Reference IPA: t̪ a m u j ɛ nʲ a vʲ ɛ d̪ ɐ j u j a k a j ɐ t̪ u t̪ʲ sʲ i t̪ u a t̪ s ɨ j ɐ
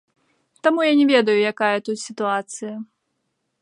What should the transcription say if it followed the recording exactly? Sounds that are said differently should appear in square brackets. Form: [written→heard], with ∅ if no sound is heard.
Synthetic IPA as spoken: t̪ a m u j [ɛ→a] nʲ [a→ɛ] vʲ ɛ d̪ ɐ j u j a k a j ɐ t̪ u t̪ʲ sʲ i t̪ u a t̪ s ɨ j ɐ